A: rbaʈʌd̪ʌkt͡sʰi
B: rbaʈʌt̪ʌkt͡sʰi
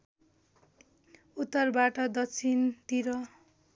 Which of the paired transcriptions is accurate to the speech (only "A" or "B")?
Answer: A